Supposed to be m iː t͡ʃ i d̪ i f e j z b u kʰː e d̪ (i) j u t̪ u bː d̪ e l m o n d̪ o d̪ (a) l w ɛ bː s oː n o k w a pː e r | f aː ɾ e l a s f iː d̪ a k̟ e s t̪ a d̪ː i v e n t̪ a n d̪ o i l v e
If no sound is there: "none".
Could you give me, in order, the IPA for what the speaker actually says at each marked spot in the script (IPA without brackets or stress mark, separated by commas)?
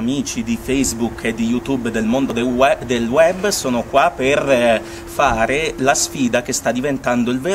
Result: i, e